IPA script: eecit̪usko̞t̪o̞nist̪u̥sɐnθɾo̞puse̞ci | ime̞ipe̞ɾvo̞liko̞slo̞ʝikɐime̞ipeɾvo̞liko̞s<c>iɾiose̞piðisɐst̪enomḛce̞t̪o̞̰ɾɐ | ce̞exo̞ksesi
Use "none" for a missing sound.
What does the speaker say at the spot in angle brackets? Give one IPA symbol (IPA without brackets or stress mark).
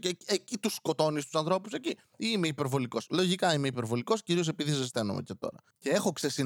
c